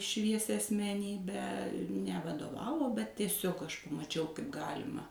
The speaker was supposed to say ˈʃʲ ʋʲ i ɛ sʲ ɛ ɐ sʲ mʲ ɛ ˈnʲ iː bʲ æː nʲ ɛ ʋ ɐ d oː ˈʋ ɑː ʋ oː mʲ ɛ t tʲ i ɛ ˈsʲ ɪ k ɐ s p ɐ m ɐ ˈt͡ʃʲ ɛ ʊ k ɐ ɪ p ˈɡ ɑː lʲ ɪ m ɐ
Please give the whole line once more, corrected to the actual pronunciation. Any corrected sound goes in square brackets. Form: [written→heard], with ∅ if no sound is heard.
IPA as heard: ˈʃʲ ʋʲ i ɛ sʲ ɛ ɐ sʲ mʲ ɛ ˈnʲ iː bʲ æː nʲ ɛ ʋ ɐ d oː ˈʋ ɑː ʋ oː [mʲ→bʲ] ɛ t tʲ i ɛ ˈsʲ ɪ k ɐ [s→ʃ] p ɐ m ɐ ˈt͡ʃʲ ɛ ʊ k ɐ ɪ p ˈɡ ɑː lʲ ɪ m ɐ